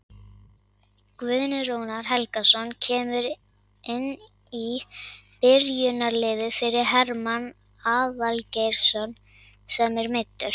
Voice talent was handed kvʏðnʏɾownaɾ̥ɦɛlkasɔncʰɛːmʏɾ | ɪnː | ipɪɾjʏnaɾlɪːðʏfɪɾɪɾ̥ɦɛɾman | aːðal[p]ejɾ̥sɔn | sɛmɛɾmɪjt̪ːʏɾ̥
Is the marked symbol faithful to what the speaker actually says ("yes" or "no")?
no